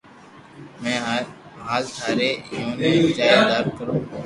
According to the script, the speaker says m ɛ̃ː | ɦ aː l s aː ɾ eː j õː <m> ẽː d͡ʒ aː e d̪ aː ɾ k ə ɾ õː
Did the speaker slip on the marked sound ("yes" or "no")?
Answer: yes